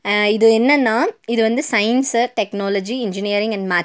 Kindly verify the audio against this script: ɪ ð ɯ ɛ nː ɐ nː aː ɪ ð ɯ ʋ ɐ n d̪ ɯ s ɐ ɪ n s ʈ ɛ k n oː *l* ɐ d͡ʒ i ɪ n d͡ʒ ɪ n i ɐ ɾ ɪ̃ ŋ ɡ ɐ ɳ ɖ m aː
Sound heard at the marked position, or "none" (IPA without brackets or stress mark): l